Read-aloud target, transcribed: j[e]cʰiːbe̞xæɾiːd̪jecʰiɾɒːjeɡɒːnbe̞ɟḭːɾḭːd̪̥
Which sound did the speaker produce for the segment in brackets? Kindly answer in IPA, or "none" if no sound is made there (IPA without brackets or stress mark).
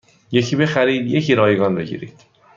e